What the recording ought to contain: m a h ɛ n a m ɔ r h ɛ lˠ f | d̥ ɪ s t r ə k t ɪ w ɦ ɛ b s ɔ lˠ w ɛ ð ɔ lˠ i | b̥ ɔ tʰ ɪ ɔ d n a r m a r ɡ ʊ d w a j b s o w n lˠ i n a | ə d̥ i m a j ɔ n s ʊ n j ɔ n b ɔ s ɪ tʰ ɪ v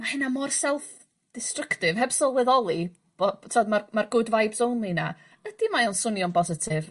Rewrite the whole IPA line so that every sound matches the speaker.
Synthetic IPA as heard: m a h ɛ n a m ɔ r s ɛ lˠ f | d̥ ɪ s t r ə k t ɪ v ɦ ɛ b s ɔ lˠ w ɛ ð ɔ lˠ i | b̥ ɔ tʰ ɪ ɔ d m a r m a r ɡ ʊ d v a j b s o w n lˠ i n a | ə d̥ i m a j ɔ n s ʊ n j ɔ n b ɔ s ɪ tʰ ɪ v